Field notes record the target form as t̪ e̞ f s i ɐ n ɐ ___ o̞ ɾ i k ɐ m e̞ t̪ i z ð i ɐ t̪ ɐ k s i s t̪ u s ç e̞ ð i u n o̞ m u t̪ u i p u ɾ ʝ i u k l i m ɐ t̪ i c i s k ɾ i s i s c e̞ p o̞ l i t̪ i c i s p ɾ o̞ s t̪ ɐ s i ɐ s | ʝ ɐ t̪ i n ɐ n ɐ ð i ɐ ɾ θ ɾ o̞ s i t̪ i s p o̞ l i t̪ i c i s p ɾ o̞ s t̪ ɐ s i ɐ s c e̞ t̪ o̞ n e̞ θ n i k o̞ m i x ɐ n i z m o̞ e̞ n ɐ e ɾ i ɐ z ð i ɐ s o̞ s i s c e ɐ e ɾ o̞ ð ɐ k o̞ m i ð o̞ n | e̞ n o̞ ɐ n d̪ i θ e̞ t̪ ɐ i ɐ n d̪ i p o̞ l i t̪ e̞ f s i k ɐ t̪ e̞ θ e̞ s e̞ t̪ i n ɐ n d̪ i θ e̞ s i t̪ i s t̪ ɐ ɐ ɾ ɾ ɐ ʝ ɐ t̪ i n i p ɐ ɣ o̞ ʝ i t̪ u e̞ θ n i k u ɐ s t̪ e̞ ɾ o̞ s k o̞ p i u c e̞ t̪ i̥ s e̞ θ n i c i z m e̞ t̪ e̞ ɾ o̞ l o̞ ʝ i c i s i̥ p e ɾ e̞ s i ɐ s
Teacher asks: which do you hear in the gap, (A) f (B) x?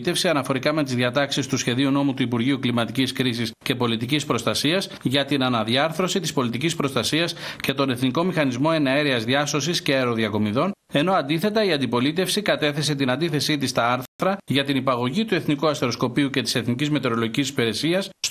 A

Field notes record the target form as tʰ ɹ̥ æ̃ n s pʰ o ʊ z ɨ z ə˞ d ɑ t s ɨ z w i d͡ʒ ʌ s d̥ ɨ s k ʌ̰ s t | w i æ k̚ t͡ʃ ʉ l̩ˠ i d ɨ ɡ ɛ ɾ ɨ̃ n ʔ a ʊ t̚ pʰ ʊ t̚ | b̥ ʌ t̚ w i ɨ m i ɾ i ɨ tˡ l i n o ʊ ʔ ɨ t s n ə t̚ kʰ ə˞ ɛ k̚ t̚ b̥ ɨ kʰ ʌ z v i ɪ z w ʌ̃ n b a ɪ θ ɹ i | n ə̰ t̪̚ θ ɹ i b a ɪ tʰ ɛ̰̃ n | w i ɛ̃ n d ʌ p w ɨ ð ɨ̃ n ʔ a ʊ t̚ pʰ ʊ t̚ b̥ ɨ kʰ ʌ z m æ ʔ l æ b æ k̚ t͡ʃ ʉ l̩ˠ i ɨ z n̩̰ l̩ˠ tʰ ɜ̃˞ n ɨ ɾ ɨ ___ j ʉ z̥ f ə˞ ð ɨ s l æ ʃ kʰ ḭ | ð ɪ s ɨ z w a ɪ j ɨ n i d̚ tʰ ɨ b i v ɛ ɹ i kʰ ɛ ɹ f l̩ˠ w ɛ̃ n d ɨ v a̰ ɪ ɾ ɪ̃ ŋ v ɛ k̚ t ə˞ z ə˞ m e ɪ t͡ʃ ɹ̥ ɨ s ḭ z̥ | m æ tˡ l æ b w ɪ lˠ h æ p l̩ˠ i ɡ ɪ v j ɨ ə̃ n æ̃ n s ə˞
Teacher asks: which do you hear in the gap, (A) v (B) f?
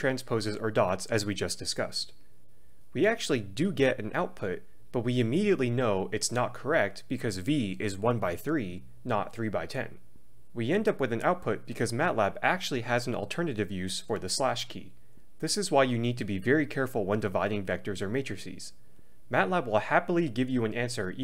A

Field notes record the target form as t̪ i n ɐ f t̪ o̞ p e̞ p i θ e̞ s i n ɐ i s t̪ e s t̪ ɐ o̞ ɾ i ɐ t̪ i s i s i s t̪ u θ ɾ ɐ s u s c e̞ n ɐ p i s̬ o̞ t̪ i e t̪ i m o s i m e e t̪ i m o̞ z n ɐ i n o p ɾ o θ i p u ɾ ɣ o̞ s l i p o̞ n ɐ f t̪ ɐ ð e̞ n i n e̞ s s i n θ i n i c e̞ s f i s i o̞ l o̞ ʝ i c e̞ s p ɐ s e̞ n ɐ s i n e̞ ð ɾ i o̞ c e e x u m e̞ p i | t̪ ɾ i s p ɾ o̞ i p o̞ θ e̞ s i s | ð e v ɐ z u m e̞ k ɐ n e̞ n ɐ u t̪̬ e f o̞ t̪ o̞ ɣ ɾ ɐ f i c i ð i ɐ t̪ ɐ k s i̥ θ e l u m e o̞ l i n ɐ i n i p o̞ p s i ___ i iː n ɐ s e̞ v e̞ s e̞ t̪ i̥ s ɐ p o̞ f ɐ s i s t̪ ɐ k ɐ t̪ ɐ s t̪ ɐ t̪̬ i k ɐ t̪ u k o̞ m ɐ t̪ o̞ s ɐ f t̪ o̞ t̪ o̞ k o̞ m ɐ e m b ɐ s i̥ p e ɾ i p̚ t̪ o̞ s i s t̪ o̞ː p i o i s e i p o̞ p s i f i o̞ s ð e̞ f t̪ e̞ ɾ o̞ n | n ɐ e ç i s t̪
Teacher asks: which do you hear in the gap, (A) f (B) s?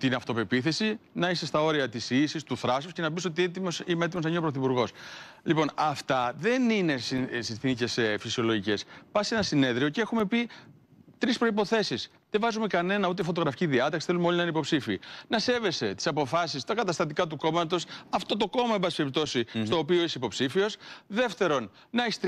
A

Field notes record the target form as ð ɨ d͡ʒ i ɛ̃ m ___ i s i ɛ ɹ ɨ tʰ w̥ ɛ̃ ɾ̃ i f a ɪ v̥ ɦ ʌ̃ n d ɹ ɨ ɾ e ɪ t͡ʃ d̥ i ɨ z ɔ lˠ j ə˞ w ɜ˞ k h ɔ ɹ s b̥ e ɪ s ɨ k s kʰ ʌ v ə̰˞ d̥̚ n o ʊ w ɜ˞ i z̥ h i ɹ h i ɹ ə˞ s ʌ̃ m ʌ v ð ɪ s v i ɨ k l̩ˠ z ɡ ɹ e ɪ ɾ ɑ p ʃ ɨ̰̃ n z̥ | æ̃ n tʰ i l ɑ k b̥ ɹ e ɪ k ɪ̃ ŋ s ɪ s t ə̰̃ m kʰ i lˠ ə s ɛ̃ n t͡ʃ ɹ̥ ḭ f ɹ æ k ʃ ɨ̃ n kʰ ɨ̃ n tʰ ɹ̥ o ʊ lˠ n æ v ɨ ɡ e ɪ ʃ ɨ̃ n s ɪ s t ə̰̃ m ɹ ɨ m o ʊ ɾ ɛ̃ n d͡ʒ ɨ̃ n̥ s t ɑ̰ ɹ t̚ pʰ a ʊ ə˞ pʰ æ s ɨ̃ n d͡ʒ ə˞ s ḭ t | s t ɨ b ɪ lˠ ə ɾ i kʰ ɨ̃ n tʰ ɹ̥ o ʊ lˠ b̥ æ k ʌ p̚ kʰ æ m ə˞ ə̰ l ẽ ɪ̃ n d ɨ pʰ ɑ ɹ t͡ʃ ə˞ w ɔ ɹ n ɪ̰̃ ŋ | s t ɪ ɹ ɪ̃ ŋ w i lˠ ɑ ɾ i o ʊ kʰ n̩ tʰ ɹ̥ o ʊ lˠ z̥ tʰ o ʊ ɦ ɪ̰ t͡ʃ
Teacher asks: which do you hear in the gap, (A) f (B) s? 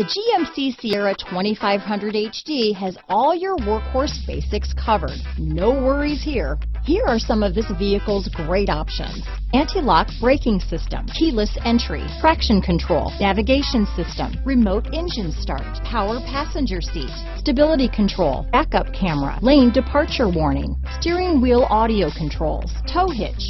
B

